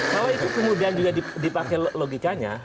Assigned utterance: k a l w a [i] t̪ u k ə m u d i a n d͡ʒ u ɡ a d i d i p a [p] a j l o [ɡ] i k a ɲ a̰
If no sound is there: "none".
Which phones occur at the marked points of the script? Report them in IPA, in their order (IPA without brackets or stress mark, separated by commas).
i, k, ɡ